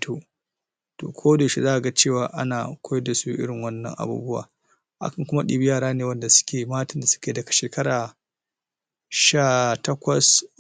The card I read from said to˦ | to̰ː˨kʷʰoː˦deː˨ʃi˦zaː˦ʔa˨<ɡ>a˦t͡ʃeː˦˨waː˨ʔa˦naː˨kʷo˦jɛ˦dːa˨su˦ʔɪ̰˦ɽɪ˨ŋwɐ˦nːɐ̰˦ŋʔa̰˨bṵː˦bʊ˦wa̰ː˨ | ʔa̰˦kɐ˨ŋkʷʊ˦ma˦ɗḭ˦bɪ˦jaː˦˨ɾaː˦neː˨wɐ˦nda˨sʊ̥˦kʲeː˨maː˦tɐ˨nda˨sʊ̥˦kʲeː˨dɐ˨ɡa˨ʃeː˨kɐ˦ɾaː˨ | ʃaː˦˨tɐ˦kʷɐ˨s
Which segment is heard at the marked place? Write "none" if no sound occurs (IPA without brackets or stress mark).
ɡ